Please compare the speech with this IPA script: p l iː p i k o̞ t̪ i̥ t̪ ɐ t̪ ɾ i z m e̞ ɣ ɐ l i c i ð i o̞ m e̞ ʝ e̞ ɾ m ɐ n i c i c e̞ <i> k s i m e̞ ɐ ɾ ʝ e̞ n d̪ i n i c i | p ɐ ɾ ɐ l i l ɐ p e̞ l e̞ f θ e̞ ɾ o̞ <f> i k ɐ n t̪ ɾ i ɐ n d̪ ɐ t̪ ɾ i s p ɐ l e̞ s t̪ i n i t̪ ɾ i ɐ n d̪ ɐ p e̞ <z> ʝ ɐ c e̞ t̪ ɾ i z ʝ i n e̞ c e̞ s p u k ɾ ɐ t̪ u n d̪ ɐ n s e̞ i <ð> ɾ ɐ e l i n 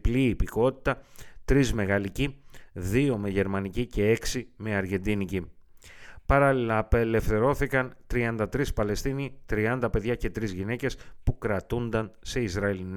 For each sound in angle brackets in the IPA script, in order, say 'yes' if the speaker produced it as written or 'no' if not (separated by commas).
no, no, no, no